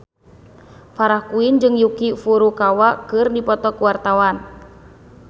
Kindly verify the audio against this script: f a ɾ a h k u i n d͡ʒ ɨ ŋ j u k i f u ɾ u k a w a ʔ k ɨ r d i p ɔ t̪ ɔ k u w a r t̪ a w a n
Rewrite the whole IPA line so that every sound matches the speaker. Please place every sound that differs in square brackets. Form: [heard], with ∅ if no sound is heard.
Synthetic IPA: f a ɾ a h k u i n d͡ʒ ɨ ŋ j u k i f u ɾ u k a w a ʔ k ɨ r d i p ɔ t̪ ɔ k u w a r t̪ a w a n